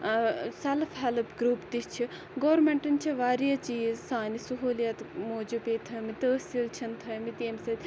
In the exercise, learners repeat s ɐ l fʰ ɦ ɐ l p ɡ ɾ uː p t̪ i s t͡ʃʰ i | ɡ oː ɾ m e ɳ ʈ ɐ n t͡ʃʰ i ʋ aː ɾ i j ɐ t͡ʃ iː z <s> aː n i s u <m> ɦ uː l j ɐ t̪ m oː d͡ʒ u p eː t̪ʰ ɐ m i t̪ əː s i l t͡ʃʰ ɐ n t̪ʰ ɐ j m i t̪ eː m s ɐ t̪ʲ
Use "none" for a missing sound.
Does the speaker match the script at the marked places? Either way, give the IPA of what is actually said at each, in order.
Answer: s, none

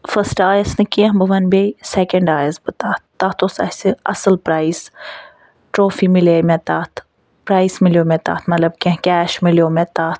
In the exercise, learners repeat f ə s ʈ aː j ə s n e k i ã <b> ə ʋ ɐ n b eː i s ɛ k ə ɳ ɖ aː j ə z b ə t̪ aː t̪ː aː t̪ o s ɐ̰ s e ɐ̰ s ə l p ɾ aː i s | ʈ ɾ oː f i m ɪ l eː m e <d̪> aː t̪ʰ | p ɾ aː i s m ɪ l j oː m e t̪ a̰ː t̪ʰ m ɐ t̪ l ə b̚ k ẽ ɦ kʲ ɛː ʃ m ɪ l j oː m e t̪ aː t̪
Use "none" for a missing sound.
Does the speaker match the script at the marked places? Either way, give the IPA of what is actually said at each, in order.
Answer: b, t̪

